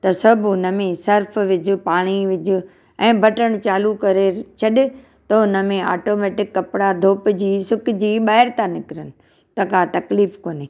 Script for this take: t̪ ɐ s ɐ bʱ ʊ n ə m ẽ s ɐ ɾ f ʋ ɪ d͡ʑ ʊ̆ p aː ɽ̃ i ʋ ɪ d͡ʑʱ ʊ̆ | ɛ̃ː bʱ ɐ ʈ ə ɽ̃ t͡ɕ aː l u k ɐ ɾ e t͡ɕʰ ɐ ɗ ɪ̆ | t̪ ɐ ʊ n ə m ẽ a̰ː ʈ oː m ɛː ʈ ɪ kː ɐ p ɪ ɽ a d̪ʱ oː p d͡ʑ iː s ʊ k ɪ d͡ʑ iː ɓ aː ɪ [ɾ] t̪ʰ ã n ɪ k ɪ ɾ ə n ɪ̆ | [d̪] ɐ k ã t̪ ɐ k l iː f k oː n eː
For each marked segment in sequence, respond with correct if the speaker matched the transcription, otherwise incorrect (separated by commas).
correct, incorrect